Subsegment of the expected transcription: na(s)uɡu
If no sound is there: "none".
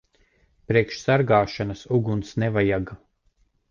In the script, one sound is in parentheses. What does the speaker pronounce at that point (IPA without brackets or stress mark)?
s